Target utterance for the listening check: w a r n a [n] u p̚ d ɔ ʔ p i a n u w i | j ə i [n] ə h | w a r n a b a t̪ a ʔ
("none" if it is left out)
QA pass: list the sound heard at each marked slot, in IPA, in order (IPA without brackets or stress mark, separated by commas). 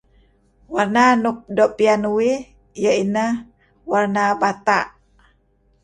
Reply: n, n